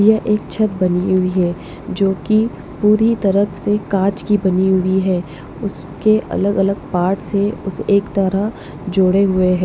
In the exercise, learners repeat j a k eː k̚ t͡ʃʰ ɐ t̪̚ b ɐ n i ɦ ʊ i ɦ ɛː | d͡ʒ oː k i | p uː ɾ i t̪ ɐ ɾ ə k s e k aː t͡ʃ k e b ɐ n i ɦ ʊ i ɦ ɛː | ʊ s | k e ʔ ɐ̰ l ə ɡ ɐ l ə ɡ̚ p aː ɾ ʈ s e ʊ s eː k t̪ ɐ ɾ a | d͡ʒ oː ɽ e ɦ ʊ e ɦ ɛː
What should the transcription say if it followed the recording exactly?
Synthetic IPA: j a ʔ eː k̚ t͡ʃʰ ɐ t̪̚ b ɐ n i ɦ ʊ i ɦ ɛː | d͡ʒ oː k i | p uː ɾ i t̪ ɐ ɾ ə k s e k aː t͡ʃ k i b ɐ n i ɦ ʊ i ɦ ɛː | ʊ s | k e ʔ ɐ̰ l ə ɡ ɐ l ə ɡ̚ p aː ɾ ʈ s e ʊ s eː k t̪ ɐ ɾ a | d͡ʒ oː ɽ e ɦ ʊ e ɦ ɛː